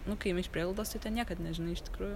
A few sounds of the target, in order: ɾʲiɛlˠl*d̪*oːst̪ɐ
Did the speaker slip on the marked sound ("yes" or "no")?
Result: no